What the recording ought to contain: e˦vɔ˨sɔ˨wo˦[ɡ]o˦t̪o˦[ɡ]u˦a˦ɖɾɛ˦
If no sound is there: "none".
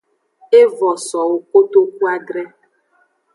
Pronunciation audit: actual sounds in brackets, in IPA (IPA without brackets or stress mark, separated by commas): k, k